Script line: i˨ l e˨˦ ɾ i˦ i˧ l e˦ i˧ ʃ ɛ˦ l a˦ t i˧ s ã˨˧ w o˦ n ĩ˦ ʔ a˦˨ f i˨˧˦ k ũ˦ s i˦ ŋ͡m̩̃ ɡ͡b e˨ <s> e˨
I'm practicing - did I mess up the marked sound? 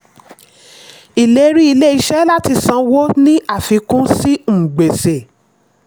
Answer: no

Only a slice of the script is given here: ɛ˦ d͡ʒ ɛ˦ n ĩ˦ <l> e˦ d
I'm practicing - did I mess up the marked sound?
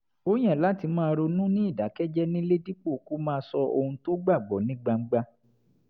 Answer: no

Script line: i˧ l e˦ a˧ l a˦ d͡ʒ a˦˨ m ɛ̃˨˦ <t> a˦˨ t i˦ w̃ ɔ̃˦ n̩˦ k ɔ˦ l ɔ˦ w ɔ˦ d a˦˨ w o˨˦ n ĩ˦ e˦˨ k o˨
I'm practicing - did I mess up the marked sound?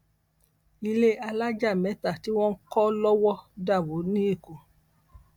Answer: no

